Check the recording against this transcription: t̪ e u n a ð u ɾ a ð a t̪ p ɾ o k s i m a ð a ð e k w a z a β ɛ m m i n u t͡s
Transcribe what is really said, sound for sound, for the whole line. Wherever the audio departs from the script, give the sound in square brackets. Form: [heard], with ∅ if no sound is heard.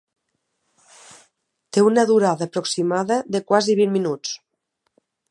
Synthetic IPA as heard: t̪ e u n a ð u ɾ a ð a [∅] p ɾ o k s i m a ð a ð e k w a z [i] β [i] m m i n u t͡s